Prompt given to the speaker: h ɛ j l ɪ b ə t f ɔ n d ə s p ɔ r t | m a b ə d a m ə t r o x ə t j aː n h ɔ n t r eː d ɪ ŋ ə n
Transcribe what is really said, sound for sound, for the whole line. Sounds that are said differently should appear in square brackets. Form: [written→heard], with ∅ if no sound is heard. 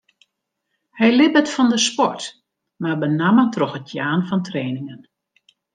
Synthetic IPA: h ɛ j l ɪ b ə t f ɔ n d ə s p ɔ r t | m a b ə [d→n] a m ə t r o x ə t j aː n [h→f] ɔ n t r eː [d→n] ɪ ŋ ə n